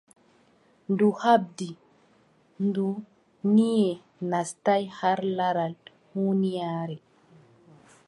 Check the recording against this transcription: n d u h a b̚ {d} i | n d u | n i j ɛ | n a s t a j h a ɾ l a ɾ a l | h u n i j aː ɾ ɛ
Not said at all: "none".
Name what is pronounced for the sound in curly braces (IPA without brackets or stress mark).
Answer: d